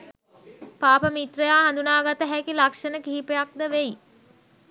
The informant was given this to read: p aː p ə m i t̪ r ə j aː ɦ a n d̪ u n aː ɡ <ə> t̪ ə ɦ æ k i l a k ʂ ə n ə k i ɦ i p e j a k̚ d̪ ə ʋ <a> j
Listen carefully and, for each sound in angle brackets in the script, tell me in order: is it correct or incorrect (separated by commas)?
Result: incorrect, incorrect